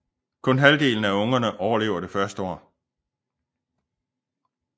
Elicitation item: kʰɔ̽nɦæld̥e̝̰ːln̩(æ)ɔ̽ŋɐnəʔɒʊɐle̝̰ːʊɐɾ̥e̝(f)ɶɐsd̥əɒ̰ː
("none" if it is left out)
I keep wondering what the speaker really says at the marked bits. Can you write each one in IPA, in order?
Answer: æ, f

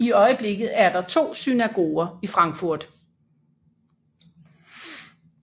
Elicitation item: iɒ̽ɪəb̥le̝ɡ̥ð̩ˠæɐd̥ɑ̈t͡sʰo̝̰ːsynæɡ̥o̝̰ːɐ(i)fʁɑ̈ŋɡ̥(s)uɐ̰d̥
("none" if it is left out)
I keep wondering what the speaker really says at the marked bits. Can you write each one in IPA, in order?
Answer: i, f

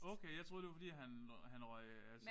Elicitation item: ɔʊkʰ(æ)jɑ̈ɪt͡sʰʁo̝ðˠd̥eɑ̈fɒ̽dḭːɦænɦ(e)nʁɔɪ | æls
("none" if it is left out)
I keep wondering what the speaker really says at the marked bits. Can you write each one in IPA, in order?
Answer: e, æ

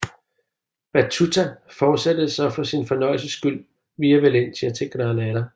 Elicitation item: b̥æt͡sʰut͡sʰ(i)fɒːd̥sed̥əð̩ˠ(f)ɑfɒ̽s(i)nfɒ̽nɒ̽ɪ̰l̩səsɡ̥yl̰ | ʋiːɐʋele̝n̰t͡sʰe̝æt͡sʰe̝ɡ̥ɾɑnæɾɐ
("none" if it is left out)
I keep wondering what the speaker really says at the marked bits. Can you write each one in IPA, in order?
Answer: æ, s, i

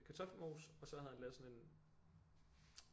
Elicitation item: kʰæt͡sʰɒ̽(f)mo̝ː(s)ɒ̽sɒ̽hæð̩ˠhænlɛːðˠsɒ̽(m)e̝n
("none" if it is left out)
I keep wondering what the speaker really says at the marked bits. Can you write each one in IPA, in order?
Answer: f, s, n

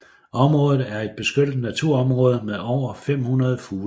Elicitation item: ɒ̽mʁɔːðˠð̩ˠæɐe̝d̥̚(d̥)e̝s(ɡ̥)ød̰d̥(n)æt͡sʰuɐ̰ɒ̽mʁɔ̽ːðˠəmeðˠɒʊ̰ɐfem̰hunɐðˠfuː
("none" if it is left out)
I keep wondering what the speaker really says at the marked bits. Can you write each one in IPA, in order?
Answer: b̥, ɡ̥, n

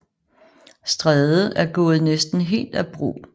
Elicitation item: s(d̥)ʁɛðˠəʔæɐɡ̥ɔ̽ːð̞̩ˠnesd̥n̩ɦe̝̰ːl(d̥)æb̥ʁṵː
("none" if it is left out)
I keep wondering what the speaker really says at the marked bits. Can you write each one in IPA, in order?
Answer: d̥, d̥

